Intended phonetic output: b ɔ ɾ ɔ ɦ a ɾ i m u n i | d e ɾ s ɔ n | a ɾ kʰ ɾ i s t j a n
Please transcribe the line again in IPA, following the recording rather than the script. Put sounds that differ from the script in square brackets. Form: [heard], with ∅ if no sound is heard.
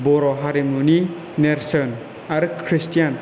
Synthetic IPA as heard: b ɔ ɾ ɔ ɦ a ɾ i m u n i | [n] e ɾ s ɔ n | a ɾ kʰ ɾ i s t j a n